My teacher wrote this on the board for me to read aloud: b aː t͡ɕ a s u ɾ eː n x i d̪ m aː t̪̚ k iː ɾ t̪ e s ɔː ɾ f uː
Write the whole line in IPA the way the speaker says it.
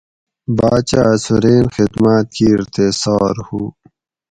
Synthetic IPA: b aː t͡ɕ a s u ɾ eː n x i d̪ m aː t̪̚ k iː ɾ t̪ e s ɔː ɾ h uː

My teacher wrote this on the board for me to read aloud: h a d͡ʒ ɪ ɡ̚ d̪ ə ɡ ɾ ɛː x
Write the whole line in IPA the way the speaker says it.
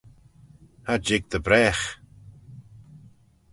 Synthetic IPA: h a d͡ʒ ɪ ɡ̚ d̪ ə b ɾ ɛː x

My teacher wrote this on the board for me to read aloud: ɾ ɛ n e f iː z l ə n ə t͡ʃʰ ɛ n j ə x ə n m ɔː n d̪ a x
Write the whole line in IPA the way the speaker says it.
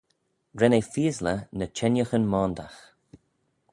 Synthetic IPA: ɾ ɛ n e f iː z l ə n ə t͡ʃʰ ɛ n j ə x ə n m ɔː n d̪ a x

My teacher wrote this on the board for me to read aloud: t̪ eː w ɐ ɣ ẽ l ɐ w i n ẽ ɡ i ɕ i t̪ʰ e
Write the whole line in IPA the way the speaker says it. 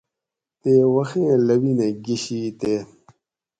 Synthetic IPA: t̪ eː w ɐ x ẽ l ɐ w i n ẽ ɡ i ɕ i t̪ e

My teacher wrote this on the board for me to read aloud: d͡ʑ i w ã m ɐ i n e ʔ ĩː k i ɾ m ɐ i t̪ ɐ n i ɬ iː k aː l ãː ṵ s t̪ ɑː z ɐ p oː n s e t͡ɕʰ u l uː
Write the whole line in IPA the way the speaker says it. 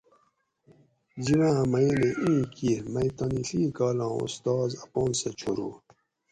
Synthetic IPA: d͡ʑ i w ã m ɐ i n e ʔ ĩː k i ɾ m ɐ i t̪ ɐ n i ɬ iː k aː l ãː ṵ s t̪ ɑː z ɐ p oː n s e t͡ɕʰ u ɾ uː

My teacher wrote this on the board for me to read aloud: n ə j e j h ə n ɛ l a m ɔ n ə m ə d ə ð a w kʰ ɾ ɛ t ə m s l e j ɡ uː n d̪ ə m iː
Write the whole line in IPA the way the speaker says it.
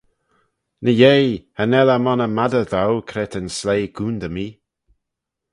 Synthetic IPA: n ə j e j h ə n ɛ l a m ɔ n ə m a d ə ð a w kʰ ɾ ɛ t ə n s l e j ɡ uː n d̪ ə m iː

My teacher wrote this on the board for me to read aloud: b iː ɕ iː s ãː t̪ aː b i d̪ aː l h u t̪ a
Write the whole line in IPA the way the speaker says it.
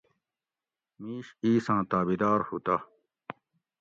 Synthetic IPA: m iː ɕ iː s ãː t̪ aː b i d̪ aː ɾ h u t̪ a

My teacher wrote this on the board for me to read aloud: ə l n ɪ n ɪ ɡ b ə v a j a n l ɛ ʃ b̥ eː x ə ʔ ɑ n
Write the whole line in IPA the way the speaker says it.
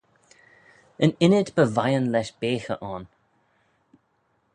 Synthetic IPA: ə n ɪ n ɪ d b ə v a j ə n l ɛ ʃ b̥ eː x ə ʔ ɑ n

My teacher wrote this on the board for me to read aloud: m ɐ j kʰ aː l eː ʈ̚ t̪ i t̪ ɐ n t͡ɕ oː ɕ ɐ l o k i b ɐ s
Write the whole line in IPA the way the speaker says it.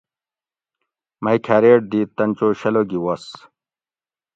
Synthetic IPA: m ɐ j kʰ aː ɾ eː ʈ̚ d̪ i t̪ ɐ n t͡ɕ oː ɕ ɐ l o ɡ i w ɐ s

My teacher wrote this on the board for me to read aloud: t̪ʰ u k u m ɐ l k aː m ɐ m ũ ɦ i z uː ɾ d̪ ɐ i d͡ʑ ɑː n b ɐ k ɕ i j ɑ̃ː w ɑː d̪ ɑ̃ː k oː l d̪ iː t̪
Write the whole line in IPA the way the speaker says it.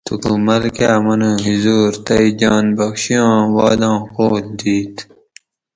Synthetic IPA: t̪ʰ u k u m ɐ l k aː m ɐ n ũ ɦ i z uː ɾ t̪ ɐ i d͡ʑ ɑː n b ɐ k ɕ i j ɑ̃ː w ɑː d̪ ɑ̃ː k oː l d̪ iː t̪

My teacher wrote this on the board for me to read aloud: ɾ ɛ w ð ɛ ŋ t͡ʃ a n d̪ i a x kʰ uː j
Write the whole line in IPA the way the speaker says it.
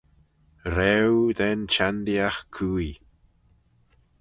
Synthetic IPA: ɾ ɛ w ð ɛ n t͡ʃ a n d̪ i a x kʰ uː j

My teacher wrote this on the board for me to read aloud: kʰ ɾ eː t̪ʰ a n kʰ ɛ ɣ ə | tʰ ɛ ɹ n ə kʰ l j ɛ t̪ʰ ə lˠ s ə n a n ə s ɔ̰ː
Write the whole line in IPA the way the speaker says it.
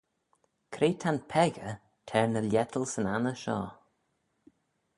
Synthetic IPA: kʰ ɾ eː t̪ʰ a n pʰ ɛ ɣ ə | tʰ ɛ ɹ n ə l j ɛ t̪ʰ ə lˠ s ə n a n ə ʃ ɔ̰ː

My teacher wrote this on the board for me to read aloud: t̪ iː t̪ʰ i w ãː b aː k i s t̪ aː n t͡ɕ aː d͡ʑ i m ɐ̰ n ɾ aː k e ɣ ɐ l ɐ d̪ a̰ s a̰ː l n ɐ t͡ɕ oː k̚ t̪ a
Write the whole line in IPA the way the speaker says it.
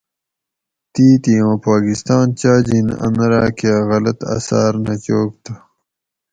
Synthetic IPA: t̪ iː t̪ i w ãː p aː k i s t̪ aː n t͡ɕ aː d͡ʑ i n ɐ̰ n ɾ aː k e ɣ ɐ l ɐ t̪ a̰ s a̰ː ɾ n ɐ t͡ɕ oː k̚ t̪ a

